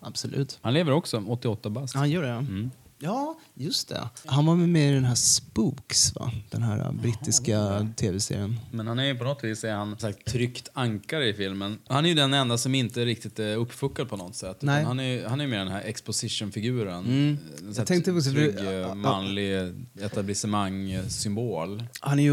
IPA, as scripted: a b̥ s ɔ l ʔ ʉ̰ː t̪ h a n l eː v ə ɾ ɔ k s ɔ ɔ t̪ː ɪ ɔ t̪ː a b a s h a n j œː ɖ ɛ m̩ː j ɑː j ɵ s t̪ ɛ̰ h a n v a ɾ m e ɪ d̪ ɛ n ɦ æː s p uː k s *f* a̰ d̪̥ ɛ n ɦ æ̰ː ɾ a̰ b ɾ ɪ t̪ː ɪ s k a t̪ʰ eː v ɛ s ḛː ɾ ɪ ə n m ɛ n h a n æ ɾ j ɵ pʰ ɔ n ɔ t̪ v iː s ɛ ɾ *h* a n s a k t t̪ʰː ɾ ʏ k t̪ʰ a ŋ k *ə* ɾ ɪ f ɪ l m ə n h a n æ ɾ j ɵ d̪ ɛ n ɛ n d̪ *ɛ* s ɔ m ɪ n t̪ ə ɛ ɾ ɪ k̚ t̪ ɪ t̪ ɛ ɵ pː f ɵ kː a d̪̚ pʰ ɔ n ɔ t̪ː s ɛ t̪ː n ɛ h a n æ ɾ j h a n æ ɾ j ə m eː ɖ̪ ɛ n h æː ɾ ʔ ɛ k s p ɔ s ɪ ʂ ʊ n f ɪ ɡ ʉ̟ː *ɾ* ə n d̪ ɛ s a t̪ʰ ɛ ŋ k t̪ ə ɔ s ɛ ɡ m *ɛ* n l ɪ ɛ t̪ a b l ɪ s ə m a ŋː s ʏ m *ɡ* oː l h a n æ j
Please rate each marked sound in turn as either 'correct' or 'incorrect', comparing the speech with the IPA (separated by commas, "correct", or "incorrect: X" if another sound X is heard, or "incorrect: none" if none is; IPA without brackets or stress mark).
incorrect: v, correct, incorrect: a, incorrect: a, correct, incorrect: a, incorrect: b